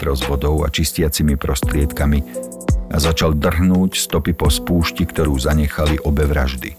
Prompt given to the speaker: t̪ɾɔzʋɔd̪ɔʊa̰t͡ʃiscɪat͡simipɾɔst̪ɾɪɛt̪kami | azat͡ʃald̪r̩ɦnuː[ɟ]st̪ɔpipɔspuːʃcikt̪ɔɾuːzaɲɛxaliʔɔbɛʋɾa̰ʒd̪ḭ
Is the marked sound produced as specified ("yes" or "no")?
no